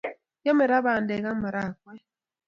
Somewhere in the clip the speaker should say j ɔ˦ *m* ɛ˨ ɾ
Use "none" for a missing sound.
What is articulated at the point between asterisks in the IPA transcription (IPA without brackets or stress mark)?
m